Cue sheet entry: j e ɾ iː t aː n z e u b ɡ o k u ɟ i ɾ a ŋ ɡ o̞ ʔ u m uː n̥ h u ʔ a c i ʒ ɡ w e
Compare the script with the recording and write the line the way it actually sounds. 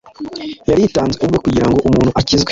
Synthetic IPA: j a ɾ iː t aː n z e u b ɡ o k u ɟ i ɾ a ŋ ɡ o̞ ʔ u m uː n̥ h u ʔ a c i z ɡ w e